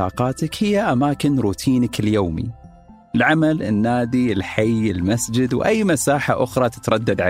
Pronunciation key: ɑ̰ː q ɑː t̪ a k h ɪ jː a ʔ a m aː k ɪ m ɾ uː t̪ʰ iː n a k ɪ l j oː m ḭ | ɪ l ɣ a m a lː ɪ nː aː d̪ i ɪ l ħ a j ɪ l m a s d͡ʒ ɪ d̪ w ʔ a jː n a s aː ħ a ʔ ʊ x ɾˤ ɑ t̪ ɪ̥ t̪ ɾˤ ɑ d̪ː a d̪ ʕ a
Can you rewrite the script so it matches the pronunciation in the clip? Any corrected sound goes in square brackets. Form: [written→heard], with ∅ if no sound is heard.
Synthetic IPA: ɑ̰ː q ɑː t̪ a k h ɪ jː a ʔ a m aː k ɪ [m→n] ɾ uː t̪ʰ iː n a k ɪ l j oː m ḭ | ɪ l [ɣ→ʕ] a m a [lː→l] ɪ nː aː d̪ i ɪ l ħ a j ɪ l m a s d͡ʒ ɪ d̪ w ʔ a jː [n→m] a s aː ħ a ʔ ʊ x ɾˤ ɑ t̪ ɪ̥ t̪ ɾˤ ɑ d̪ː a d̪ ʕ a